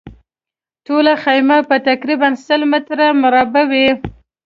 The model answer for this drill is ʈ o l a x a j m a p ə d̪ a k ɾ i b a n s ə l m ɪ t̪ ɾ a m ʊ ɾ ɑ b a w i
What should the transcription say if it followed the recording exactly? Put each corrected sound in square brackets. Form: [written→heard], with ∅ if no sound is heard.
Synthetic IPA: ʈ o l a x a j m a p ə [d̪→t̪] a k ɾ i b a n s ə l m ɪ t̪ ɾ a m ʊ ɾ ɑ b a w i

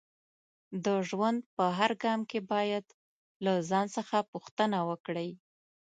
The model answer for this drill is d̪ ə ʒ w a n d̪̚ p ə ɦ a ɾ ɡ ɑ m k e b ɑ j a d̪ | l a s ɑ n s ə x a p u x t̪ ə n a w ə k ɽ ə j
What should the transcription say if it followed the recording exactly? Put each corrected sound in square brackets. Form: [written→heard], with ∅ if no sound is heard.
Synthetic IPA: d̪ ə ʒ w a n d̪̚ p ə ɦ a ɾ ɡ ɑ m k e b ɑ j a d̪ | l a [s→z] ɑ n s ə x a p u x t̪ ə n a w ə k ɽ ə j

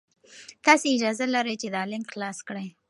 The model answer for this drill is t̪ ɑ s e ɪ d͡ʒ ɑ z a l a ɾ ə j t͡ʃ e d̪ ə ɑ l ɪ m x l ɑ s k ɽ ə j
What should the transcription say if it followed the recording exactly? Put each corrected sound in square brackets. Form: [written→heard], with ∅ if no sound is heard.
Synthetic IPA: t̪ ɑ s e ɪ d͡ʒ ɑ z a l a ɾ ə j t͡ʃ e d̪ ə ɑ l ɪ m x l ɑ s k ɽ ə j

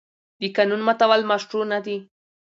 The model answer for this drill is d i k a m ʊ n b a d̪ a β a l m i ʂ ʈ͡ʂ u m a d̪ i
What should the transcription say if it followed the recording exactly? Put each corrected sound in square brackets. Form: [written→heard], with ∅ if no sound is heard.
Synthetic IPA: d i k a [m→n] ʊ n [b→m] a [d̪→t̪] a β a l m [i→a] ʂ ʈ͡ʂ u [m→n] a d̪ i

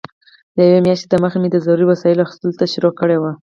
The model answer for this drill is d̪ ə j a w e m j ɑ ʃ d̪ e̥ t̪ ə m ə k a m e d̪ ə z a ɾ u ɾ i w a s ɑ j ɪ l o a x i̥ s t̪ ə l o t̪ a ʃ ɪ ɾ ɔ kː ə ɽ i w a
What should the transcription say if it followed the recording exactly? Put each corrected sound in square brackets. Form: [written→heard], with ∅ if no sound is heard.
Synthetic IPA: d̪ ə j a w e m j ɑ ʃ [d̪→t̪] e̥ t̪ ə m ə [k→x] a m e d̪ ə z a ɾ u ɾ i w a s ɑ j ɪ l o a x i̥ s t̪ ə l o t̪ a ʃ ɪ ɾ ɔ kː ə ɽ [i→e] w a

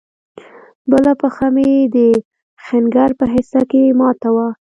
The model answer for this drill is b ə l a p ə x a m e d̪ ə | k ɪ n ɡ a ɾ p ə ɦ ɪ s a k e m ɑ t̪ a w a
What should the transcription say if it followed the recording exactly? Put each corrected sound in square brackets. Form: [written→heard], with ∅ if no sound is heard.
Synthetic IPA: b ə l a p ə x a m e d̪ ə | [k→x] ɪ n ɡ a ɾ p ə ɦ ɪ s a k e m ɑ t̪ a w a

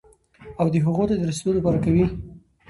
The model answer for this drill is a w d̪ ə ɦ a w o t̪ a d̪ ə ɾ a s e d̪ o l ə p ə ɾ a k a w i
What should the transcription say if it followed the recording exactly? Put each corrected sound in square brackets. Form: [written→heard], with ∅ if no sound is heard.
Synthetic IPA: a w d̪ ə ɦ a [w→ɣ] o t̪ a d̪ ə ɾ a s e d̪ o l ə p [ə→ɑ] ɾ a k a w i

